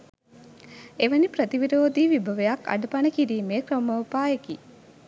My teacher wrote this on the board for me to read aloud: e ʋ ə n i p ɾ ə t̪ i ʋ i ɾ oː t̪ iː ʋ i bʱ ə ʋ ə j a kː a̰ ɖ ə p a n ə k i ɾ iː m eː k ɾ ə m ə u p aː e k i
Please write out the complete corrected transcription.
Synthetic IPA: e ʋ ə n i p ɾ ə t̪ i ʋ i ɾ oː d̪ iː ʋ i bʱ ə ʋ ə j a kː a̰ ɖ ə p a n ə k i ɾ iː m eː k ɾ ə m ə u p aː e k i